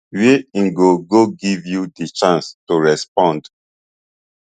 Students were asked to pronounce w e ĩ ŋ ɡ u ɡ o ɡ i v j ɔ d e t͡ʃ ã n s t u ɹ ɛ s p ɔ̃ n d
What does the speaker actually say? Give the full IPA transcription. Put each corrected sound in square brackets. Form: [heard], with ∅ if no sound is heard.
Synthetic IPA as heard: w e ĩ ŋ ɡ [o] ɡ o ɡ i v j [u] d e t͡ʃ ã n s t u ɹ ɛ s p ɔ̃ n d